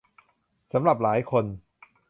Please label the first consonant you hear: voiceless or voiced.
voiceless